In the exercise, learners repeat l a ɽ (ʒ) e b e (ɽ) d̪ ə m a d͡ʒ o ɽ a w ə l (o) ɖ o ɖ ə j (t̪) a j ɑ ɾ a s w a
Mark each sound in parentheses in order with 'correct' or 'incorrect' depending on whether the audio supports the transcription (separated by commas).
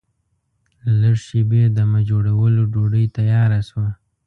incorrect, incorrect, correct, correct